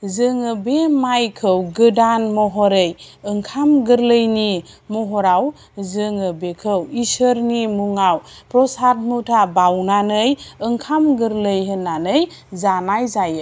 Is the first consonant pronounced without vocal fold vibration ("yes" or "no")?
no